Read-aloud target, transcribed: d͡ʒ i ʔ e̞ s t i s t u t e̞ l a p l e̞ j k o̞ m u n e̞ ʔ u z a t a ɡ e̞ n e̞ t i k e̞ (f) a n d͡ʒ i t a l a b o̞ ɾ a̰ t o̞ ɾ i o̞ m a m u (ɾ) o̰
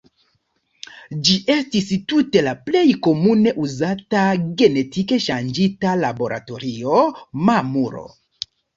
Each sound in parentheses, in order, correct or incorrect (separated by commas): incorrect, correct